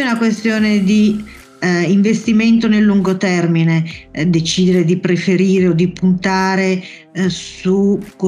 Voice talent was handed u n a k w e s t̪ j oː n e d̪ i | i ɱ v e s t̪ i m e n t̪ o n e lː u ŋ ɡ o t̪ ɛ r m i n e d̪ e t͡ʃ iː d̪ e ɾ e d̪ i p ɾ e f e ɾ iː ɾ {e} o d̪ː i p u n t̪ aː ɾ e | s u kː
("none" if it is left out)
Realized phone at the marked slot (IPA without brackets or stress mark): e